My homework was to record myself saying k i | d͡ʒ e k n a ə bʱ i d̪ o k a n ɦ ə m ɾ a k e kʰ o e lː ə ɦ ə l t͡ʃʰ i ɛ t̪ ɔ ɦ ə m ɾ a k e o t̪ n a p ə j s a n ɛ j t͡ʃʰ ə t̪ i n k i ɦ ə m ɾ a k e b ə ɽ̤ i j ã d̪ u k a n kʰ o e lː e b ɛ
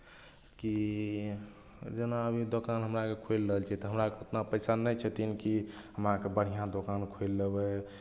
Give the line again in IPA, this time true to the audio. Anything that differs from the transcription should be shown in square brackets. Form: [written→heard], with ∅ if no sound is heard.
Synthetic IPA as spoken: k i | d͡ʒ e [k→∅] n a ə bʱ i d̪ o k a n ɦ ə m ɾ a k e kʰ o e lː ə ɦ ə l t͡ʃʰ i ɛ t̪ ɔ ɦ ə m ɾ a k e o t̪ n a p ə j s a n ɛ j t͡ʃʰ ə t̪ i n k i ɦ ə m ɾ a k e b ə ɽ̤ i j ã d̪ [u→o] k a n kʰ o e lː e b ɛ